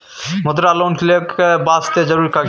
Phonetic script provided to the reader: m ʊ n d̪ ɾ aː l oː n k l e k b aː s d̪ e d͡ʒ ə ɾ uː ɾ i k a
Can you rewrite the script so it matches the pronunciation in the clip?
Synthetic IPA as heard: m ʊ d̪ ɾ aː l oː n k l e k b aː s t̪ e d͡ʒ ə ɾ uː ɾ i k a